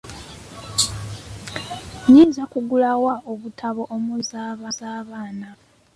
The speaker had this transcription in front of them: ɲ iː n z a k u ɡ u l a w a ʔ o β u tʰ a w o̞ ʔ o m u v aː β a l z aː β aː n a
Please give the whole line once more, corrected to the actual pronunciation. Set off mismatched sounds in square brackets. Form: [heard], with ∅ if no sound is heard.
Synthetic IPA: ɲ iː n z a k u ɡ u l a w a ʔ o β u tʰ a [β] o̞ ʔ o m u [z] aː β a [∅] z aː β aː n a